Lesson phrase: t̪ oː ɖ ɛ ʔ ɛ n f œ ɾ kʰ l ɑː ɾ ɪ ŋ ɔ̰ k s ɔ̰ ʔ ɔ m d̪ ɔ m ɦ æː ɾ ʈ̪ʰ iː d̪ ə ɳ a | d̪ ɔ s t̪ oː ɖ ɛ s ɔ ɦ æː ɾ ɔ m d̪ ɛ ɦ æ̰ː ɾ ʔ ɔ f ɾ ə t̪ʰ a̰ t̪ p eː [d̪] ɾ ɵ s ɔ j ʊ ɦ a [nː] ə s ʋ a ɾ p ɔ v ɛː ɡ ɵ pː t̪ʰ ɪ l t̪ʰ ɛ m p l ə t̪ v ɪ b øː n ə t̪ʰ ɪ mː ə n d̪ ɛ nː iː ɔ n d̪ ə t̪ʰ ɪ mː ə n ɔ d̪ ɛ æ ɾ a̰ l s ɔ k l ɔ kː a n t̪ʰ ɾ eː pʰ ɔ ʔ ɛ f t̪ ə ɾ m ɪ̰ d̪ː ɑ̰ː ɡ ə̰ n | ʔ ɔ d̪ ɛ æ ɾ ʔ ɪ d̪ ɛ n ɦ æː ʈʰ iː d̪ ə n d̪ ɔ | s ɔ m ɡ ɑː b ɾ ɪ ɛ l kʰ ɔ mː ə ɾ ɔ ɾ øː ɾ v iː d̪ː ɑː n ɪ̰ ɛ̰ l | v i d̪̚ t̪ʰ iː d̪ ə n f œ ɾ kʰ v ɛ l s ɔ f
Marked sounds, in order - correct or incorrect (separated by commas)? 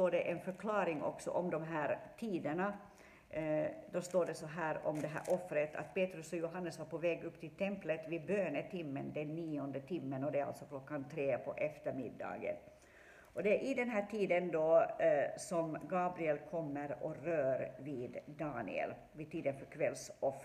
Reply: incorrect, correct